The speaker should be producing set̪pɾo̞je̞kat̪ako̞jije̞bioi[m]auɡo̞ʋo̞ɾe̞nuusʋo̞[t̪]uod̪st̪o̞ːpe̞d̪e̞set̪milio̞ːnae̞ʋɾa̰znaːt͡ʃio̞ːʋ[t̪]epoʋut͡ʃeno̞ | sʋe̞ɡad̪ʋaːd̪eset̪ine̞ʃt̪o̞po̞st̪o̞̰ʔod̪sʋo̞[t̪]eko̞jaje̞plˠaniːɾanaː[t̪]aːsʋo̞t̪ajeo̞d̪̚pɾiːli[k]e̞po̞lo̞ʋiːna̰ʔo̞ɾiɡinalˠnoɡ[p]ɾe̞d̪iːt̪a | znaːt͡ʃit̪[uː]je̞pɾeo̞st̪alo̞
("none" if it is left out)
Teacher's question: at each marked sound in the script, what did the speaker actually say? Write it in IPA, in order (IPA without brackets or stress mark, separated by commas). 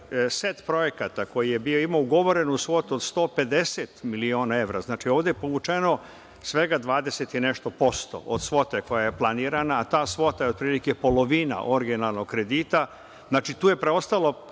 m, t̪, d̪, t̪, t̪, k, k, uː